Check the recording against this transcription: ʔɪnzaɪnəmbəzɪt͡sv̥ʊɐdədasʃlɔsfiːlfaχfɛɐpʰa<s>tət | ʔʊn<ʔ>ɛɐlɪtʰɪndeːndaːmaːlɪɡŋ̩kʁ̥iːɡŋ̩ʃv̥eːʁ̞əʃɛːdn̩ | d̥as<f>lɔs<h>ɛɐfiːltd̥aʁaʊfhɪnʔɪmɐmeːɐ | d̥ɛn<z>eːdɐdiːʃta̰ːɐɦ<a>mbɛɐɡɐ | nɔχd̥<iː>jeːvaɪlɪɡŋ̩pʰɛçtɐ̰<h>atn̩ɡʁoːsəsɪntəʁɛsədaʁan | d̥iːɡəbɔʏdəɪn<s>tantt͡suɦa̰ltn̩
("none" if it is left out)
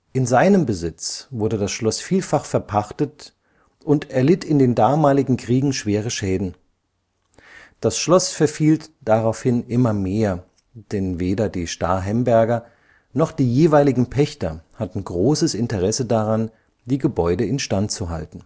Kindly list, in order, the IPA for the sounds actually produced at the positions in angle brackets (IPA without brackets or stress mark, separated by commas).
χ, t, ʃ, f, v, ɛ, iː, h, ʃ